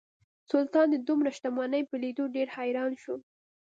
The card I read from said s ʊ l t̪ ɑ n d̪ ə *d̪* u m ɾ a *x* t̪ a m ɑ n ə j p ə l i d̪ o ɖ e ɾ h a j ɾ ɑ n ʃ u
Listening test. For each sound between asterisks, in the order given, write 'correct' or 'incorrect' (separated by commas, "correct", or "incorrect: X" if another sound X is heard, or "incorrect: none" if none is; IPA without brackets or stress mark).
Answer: correct, incorrect: ʃ